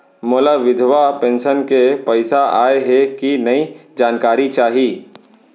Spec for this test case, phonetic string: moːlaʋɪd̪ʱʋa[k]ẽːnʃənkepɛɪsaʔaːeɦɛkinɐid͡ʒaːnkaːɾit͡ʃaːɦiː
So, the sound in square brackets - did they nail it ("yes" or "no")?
no